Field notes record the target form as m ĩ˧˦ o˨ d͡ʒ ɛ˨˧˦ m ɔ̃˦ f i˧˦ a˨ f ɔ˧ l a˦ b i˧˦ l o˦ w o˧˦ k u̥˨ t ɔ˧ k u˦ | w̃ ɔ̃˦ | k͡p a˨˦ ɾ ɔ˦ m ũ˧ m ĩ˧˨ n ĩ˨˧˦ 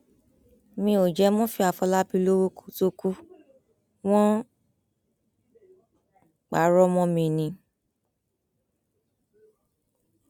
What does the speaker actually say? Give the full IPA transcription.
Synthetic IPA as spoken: m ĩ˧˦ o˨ d͡ʒ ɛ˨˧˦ m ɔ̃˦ f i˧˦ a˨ f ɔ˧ l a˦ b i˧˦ l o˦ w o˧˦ k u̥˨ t o˧ k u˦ | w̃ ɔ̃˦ | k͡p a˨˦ ɾ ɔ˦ m ɔ̃˧ m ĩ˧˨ n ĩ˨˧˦